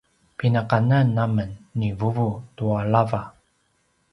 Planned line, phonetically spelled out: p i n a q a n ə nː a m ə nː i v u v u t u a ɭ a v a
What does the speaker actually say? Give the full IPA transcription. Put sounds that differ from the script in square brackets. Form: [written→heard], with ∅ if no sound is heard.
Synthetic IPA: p i n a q a n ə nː a m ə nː i v u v u t u a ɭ a v a